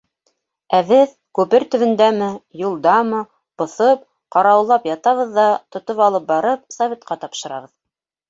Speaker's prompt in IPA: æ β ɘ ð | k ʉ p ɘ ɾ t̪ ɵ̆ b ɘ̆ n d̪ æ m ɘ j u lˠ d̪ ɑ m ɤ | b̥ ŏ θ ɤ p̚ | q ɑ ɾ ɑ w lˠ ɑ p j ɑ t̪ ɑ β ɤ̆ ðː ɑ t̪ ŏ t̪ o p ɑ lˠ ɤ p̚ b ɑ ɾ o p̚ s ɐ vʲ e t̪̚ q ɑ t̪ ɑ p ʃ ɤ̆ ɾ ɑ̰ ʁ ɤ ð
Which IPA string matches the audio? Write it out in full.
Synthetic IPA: æ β ɘ ð | k ʉ p ɘ ɾ t̪ ɵ̆ β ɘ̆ n d̪ æ m ɘ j u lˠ d̪ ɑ m ɤ | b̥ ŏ θ ɤ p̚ | q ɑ ɾ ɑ w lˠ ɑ p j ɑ t̪ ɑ β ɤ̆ ðː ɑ t̪ ŏ t̪ o p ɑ lˠ ɤ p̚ b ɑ ɾ ɤ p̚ s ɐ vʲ e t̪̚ q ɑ t̪ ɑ p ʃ ɤ̆ ɾ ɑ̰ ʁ ɤ ð